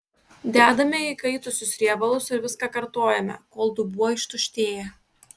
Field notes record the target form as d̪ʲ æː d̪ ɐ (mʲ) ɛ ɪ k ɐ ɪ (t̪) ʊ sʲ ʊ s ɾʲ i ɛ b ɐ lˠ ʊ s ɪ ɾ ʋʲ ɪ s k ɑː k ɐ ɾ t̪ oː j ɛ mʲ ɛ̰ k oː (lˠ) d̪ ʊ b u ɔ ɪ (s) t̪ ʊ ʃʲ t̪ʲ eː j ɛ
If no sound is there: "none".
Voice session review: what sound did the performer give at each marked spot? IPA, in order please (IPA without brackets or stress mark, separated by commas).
mʲ, t̪, lˠ, ʃ